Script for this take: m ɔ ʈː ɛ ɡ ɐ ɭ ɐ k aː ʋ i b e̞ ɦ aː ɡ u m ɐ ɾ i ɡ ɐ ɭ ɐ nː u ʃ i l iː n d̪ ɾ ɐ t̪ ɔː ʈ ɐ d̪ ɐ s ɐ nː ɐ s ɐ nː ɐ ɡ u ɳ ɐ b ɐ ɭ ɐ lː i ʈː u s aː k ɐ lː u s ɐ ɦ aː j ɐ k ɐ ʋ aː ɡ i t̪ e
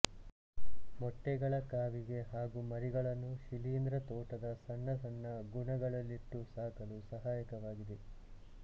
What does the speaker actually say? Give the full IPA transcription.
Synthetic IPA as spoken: m ɔ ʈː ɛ ɡ ɐ ɭ ɐ k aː ʋ i ɡ e̞ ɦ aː ɡ u m ɐ ɾ i ɡ ɐ ɭ ɐ nː u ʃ i l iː n d̪ ɾ ɐ t̪ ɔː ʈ ɐ d̪ ɐ s ɐ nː ɐ s ɐ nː ɐ ɡ u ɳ ɐ ɡ ɐ ɭ ɐ lː i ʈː u s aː k ɐ l u s ɐ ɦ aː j ɐ k ɐ ʋ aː ɡ i d̪ e